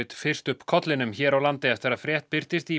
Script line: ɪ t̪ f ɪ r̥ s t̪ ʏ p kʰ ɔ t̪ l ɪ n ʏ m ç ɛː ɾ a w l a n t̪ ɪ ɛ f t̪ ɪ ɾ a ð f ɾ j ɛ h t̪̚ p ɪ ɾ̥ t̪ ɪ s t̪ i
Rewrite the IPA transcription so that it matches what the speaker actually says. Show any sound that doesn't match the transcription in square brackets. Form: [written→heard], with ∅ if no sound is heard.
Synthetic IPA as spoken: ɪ t̪ f ɪ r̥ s t̪ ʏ p kʰ ɔ t̪ l ɪ n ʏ m ç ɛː ɾ a w l a n t̪ ɪ ɛ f t̪ ɪ ɾ a ð f ɾ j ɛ h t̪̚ p ɪ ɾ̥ t̪ ɪ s t̪ i